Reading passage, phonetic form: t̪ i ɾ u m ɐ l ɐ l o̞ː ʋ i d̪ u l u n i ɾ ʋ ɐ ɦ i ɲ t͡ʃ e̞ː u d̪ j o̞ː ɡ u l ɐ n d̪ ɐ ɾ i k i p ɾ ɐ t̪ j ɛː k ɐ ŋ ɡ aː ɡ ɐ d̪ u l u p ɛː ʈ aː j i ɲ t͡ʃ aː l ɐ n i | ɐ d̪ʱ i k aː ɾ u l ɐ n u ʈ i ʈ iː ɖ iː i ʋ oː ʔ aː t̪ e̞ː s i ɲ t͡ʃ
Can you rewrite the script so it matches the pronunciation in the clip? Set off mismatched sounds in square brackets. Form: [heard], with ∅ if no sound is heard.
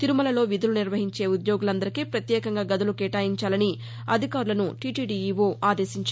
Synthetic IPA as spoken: t̪ i ɾ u m ɐ l ɐ l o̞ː ʋ i d̪ u l u n i ɾ ʋ ɐ ɦ i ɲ t͡ʃ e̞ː u d̪ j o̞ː ɡ u l ɐ n d̪ ɐ ɾ i k i p ɾ ɐ t̪ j ɛː k ɐ ŋ ɡ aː ɡ ɐ d̪ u l u [k] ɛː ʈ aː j i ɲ t͡ʃ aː l ɐ n i | ɐ d̪ʱ i k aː ɾ u l ɐ n u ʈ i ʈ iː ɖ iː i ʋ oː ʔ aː [d̪] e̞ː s i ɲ t͡ʃ